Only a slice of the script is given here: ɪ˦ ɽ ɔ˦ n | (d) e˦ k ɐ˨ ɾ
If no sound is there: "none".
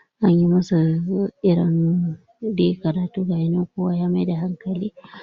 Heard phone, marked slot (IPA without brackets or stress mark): d